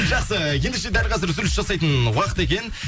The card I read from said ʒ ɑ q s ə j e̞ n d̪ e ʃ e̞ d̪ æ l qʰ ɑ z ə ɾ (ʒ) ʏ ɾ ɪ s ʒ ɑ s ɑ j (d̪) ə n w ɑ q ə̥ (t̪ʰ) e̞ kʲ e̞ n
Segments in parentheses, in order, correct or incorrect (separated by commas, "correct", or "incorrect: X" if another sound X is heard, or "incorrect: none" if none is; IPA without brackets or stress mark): incorrect: z, incorrect: t̪, incorrect: t̪